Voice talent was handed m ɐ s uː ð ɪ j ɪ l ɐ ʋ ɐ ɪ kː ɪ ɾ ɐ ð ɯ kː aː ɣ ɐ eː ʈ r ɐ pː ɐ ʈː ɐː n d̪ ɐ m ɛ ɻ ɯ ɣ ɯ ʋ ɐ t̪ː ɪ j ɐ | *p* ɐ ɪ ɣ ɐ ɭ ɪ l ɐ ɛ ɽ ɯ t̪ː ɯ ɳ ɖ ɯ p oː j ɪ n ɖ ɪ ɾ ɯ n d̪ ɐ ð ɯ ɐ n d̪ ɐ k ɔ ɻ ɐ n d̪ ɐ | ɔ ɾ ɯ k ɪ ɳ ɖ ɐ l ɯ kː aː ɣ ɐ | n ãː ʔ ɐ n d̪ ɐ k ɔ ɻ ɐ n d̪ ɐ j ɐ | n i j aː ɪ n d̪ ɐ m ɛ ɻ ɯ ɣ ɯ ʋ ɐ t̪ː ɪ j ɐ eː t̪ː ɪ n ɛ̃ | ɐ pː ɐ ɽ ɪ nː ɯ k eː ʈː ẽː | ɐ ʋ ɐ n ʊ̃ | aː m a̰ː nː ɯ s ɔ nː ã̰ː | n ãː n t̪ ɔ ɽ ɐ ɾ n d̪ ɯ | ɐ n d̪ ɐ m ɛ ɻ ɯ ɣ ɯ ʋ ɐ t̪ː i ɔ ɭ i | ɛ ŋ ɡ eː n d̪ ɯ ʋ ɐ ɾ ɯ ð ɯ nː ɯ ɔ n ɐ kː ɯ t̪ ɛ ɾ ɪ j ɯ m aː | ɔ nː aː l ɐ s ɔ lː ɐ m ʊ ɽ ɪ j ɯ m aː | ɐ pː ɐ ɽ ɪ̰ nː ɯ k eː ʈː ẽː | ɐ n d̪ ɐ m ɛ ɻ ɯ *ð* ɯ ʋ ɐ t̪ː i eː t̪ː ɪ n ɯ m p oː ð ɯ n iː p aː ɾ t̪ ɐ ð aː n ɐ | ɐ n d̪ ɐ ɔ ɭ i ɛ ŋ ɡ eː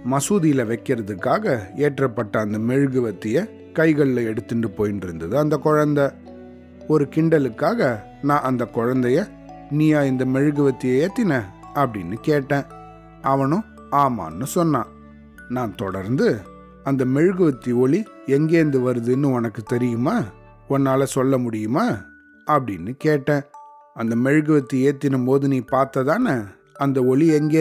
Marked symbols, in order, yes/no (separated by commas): no, no